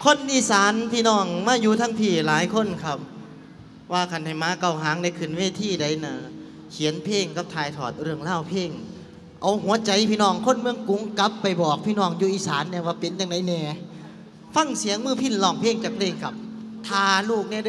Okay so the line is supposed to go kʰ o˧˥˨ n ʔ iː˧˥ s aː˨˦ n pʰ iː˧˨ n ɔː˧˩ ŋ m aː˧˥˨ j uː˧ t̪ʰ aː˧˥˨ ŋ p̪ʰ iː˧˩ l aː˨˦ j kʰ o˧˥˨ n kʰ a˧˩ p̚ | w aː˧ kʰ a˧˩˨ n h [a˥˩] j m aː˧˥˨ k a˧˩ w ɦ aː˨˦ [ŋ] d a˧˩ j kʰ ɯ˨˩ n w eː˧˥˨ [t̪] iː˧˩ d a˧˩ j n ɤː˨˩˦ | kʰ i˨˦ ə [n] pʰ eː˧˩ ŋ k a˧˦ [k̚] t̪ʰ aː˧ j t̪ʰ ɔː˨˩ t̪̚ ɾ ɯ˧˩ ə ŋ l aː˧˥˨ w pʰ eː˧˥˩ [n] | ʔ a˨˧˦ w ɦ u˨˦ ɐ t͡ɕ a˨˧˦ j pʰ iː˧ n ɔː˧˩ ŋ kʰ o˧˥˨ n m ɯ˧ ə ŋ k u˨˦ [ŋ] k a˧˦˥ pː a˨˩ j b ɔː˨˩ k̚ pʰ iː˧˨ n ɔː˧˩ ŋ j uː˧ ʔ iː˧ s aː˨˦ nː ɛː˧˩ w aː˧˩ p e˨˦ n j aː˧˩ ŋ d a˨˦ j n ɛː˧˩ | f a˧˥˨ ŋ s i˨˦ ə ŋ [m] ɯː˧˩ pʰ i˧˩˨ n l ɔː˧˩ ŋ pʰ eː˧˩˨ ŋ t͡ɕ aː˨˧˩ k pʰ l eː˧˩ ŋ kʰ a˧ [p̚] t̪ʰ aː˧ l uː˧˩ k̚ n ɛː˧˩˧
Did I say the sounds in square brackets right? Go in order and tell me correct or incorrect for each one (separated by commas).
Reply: incorrect, correct, incorrect, correct, incorrect, incorrect, correct, correct, correct